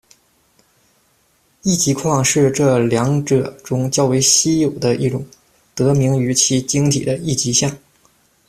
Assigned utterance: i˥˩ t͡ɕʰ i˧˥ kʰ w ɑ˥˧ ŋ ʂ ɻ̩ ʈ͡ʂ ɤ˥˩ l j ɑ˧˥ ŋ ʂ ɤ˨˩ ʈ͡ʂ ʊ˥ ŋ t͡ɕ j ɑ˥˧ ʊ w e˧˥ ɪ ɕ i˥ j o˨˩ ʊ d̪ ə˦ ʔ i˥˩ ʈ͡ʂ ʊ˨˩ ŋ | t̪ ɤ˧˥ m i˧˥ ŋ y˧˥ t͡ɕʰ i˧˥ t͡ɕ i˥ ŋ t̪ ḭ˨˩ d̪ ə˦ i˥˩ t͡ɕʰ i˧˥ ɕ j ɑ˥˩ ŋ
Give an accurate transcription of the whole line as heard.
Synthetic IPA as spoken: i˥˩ t͡ɕ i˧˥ kʰ w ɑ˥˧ ŋ ʂ ɻ̩ ʈ͡ʂ ɤ˥˩ l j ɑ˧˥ ŋ ʈ͡ʂ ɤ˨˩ ʈ͡ʂ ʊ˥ ŋ t͡ɕ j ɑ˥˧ ʊ w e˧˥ ɪ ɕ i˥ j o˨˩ ʊ d̪ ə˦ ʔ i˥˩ ʈ͡ʂ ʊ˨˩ ŋ | t̪ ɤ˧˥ m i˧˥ ŋ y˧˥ t͡ɕʰ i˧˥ t͡ɕ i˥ ŋ t̪ʰ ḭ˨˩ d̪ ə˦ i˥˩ t͡ɕ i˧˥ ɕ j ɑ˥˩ ŋ